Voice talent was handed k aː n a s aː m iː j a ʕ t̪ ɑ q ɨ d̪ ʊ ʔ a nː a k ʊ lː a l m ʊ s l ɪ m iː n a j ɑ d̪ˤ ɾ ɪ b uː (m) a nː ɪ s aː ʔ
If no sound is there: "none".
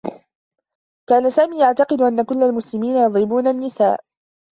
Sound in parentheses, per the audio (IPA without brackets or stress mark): n